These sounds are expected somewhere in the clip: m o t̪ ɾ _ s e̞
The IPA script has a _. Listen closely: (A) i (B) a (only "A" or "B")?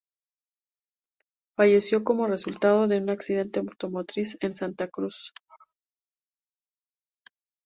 A